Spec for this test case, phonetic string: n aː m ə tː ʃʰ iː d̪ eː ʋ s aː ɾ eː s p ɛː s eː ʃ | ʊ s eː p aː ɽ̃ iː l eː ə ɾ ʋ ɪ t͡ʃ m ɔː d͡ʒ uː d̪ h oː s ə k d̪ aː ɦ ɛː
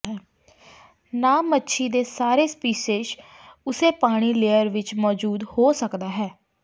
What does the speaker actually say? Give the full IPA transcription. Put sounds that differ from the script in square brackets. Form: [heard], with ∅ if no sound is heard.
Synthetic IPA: n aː m ə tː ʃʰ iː d̪ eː [∅] s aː ɾ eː s p [iː] s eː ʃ | ʊ s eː p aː ɽ̃ iː l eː ə ɾ ʋ ɪ t͡ʃ m ɔː d͡ʒ uː d̪ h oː s ə k d̪ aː ɦ ɛː